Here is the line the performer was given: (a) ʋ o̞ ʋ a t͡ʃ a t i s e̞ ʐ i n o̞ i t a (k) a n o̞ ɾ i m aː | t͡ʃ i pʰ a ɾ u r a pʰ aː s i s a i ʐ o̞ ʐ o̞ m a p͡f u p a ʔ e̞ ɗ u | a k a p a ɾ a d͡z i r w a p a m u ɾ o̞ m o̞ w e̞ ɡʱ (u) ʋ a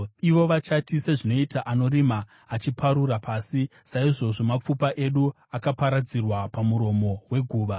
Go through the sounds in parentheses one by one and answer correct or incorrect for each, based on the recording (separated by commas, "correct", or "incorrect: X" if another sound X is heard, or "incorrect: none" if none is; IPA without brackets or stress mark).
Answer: incorrect: i, incorrect: ʔ, incorrect: uː